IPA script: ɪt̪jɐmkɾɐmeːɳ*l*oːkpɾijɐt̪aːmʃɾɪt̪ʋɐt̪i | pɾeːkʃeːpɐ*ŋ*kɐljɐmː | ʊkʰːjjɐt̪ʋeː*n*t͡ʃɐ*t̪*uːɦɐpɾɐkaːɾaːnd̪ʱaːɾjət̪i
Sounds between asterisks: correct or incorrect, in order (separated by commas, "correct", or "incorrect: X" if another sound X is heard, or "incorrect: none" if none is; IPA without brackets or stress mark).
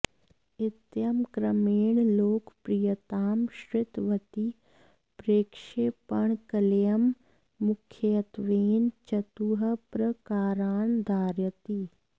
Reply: correct, incorrect: ɳ, correct, correct